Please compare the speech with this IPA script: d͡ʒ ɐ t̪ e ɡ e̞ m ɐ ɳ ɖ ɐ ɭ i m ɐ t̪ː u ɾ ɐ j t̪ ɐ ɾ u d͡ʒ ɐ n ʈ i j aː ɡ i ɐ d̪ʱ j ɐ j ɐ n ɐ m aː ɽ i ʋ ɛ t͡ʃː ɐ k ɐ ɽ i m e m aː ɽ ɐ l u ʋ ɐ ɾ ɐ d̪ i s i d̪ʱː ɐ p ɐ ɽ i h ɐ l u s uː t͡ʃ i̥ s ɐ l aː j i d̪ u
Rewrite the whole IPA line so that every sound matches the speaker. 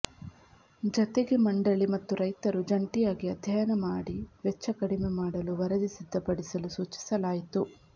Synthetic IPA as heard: d͡ʒ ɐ t̪ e ɡ e̞ m ɐ ɳ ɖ ɐ ɭ i m ɐ t̪ː u ɾ ɐ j t̪ ɐ ɾ u d͡ʒ ɐ ɳ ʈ i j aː ɡ i ɐ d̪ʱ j ɐ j ɐ n ɐ m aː ɽ i ʋ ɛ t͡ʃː ɐ k ɐ ɽ i m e m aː ɽ ɐ l u ʋ ɐ ɾ ɐ d̪ i s i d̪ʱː ɐ p ɐ ɽ i s ɐ l u s uː t͡ʃ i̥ s ɐ l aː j i t̪ u